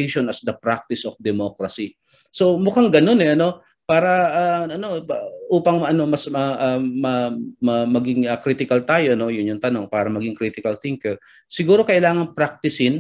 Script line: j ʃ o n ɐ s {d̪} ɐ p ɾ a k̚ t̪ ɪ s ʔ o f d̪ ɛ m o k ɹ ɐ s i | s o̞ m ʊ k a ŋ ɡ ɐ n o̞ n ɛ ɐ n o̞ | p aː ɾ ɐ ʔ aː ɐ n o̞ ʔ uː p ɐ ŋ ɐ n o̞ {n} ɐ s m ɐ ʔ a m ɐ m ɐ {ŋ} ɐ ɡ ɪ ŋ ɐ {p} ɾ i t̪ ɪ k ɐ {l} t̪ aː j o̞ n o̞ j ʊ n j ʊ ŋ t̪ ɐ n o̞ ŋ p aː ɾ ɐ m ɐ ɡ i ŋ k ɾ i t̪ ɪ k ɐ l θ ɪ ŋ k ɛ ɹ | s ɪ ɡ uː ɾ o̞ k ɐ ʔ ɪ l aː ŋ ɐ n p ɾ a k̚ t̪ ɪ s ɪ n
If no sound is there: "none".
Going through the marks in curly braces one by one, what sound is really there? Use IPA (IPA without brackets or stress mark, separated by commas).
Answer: d̪, m, m, k, l